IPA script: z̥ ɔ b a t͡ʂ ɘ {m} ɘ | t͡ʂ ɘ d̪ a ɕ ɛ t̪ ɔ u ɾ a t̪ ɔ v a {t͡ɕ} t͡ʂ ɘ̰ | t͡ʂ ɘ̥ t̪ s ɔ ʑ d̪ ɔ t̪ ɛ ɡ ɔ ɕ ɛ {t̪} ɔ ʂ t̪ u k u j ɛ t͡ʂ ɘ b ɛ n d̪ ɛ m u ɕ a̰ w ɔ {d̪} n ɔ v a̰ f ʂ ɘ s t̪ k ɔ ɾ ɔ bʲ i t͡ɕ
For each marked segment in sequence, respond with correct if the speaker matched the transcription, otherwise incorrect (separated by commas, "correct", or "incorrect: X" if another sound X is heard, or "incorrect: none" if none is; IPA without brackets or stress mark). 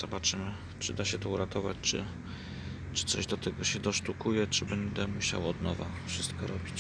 correct, correct, incorrect: d̪, correct